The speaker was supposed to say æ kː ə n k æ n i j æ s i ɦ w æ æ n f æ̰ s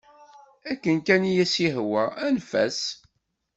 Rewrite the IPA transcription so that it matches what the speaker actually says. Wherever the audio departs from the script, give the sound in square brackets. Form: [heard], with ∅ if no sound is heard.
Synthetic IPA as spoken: æ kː ə n k æ n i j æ s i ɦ w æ æ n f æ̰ s